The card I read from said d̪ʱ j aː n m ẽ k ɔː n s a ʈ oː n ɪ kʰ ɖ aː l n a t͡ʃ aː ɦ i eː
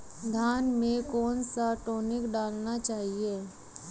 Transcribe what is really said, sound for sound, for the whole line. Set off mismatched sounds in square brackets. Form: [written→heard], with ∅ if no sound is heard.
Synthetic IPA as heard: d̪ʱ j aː n m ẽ k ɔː n s a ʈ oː n ɪ [kʰ→k] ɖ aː l n a t͡ʃ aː ɦ i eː